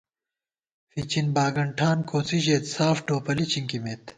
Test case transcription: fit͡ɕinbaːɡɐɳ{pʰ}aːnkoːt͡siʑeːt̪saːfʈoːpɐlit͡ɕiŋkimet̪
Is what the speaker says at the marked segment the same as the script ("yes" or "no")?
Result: no